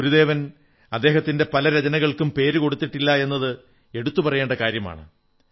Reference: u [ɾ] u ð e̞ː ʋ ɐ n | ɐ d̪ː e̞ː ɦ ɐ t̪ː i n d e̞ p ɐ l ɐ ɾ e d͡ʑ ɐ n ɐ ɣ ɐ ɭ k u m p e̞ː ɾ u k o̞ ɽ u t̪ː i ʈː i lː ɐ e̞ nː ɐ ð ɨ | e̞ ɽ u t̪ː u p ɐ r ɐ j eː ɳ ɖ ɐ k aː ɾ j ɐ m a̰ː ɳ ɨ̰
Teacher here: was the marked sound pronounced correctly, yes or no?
yes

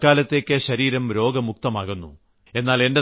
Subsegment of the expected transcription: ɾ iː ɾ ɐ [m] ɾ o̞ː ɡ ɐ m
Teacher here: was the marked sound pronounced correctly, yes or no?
yes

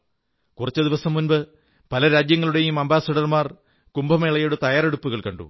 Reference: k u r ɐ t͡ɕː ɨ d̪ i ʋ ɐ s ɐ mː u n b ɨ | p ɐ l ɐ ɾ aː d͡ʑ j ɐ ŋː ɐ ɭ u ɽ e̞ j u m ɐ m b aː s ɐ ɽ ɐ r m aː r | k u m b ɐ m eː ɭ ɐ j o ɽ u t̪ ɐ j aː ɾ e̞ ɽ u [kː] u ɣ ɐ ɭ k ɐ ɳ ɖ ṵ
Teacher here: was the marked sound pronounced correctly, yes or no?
no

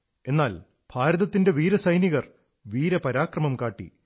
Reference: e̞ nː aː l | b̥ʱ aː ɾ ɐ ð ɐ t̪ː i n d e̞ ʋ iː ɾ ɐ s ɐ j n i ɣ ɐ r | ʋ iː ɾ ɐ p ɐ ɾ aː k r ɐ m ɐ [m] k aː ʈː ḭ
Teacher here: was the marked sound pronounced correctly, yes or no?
yes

